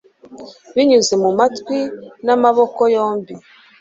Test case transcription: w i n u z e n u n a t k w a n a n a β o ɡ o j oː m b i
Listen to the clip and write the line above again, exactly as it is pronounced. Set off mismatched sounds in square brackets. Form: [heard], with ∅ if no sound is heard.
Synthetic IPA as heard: [β] i [ɲ] u z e [m] u [m] a t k w [i] n a [m] a β o [k] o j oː m b i